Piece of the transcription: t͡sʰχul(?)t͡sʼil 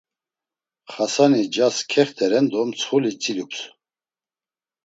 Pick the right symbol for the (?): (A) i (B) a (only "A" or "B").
A